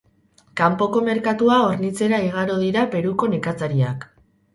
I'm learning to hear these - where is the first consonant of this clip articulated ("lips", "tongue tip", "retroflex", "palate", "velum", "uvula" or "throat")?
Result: velum